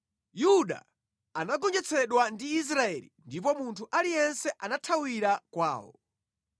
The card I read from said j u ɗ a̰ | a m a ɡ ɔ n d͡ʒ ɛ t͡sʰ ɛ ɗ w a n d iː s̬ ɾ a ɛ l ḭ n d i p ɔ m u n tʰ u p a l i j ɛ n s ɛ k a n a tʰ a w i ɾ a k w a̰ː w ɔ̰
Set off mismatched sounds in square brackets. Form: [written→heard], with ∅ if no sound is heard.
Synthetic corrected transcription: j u ɗ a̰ | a [m→n] a ɡ ɔ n d͡ʒ ɛ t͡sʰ ɛ ɗ w a n d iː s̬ ɾ a ɛ l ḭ n d i p ɔ m u n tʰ u [p→ʔ] a l i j ɛ n s ɛ [k→ʔ] a n a tʰ a w i ɾ a k w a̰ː w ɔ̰